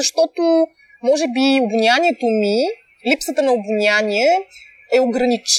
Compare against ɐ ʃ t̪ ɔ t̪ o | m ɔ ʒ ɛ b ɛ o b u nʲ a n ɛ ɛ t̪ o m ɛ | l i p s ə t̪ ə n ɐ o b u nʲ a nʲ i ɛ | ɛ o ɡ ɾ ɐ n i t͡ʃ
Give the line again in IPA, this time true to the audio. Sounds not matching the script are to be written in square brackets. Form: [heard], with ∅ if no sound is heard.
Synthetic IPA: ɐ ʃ t̪ ɔ t̪ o | m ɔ ʒ ɛ b [i] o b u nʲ a n [i] ɛ t̪ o m [i] | l i p s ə t̪ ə n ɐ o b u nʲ a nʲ i ɛ | ɛ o ɡ ɾ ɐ n i t͡ʃ